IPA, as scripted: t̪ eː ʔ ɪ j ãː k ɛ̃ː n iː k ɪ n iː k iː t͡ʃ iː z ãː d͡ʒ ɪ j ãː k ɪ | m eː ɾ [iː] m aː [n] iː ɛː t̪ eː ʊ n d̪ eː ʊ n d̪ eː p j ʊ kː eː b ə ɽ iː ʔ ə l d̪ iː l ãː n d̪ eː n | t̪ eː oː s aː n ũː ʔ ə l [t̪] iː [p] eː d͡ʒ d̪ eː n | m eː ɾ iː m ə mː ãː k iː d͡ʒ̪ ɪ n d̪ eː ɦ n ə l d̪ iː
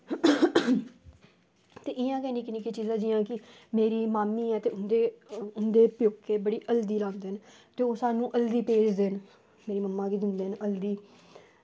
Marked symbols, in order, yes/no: yes, no, no, yes

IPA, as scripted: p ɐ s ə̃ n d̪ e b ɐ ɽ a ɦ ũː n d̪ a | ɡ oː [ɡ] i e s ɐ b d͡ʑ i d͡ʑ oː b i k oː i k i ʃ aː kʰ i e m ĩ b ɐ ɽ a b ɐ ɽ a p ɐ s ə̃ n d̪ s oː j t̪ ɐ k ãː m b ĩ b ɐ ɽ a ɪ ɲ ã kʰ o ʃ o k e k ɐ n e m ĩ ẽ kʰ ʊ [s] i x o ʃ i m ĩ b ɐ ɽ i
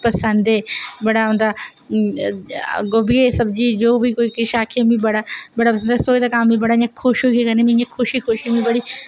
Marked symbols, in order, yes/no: no, no

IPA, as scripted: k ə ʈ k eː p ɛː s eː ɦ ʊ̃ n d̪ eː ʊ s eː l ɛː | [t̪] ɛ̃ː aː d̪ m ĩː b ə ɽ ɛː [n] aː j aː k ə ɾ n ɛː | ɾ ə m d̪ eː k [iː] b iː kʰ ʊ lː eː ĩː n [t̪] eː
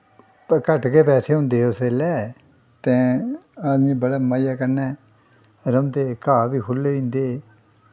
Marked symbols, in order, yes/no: yes, no, no, no

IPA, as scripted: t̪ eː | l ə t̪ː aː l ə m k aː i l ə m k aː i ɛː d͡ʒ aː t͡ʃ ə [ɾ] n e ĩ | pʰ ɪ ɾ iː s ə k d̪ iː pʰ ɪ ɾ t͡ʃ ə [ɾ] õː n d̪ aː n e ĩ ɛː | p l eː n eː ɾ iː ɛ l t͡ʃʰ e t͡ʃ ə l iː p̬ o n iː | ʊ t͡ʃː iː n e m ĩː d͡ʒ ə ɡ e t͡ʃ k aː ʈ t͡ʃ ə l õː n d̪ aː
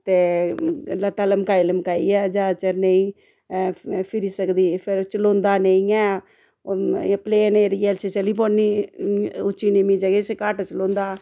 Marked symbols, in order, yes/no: yes, no

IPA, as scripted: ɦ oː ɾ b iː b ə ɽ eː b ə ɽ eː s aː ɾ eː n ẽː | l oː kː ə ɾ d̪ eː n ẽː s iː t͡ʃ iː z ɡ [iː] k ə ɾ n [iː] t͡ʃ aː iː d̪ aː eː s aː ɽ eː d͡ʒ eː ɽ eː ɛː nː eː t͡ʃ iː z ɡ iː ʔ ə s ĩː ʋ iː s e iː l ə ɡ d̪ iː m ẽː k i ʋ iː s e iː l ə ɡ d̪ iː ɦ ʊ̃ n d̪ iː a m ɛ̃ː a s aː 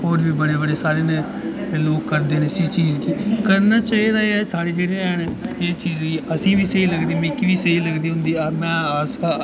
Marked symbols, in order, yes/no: yes, no

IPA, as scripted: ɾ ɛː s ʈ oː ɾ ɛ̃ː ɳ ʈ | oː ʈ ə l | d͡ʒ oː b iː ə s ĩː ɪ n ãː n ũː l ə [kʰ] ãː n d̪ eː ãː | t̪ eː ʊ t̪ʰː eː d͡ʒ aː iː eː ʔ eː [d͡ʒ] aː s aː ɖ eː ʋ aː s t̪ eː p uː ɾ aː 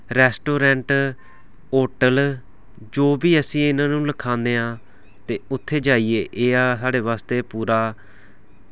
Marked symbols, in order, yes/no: yes, no

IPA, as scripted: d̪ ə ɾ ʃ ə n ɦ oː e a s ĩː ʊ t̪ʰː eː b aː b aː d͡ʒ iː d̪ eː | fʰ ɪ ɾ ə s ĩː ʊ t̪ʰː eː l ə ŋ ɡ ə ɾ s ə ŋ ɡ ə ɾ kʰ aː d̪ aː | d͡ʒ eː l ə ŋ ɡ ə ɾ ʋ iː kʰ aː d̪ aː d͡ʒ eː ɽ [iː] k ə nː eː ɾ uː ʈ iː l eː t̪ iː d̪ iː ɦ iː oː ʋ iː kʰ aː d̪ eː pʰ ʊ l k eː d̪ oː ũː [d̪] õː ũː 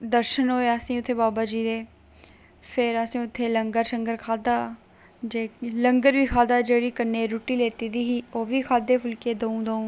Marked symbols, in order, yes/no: yes, yes

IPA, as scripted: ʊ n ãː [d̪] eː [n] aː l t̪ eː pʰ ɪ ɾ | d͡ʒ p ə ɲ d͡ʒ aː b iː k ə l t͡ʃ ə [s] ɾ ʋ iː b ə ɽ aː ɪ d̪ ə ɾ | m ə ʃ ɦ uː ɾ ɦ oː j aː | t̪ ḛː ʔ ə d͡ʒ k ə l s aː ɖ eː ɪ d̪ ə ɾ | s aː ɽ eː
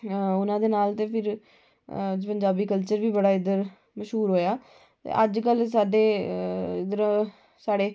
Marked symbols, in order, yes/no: yes, yes, no

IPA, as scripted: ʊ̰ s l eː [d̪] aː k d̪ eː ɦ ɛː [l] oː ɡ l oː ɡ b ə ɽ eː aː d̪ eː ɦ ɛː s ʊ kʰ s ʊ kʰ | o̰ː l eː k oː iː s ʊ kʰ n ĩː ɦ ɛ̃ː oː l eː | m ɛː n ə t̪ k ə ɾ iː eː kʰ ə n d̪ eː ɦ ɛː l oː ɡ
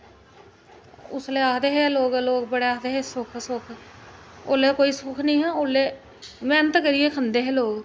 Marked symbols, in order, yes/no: no, yes

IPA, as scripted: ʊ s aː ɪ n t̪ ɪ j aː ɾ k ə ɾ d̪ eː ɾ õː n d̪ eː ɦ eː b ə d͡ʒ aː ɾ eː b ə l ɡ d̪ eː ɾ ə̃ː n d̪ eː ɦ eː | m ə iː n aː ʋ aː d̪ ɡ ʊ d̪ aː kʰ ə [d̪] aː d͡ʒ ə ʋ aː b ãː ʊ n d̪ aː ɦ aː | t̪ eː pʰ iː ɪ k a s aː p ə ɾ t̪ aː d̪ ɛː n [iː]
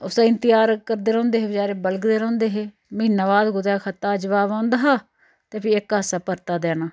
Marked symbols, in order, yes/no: no, no

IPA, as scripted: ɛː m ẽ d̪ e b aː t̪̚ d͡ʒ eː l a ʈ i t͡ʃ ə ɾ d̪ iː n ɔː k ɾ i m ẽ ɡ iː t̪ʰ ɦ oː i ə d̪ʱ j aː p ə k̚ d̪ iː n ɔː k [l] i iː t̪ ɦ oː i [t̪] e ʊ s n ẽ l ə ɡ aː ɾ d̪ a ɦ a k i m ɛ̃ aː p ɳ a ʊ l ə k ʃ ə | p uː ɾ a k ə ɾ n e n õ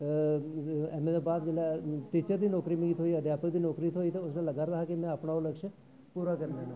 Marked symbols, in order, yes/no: no, yes

